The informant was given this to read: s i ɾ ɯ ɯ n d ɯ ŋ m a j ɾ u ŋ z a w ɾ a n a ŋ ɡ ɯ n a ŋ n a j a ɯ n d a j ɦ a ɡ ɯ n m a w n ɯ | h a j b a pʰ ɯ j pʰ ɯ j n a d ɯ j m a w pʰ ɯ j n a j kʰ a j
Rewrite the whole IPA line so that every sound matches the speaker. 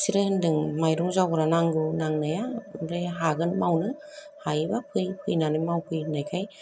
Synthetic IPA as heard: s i ɾ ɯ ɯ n d ɯ ŋ m a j ɾ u ŋ z a w ɾ a n a ŋ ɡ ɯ n a ŋ n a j a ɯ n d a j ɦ a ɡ ɯ n m a w n ɯ | h a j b a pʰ ɯ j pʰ ɯ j n a n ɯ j m a w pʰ ɯ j n a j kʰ a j